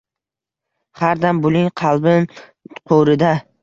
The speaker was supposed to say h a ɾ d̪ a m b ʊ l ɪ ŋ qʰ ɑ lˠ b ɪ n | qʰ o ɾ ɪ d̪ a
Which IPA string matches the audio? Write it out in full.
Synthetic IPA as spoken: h a ɾ d̪ a m b ʊ l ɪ ŋ qʰ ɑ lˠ b ɪ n | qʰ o ɾ ɪ d̪ a